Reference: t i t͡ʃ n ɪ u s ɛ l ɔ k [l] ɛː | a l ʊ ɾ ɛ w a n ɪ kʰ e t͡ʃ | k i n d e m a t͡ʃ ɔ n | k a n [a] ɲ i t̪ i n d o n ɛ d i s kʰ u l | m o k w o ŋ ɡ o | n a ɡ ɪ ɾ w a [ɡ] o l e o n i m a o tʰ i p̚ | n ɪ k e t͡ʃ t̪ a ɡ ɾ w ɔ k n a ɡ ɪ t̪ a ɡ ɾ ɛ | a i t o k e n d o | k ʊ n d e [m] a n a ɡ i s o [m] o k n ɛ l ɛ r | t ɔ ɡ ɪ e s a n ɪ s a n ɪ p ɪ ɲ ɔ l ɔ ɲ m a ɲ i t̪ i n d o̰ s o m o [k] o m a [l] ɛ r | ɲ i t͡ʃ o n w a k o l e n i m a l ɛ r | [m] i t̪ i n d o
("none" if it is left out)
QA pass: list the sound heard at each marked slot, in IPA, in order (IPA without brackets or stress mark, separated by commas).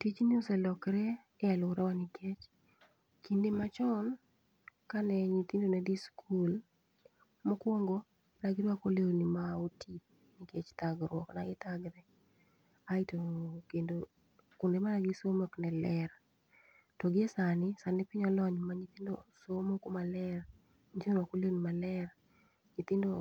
ɾ, ɛ, k, m, m, k, l, ɲ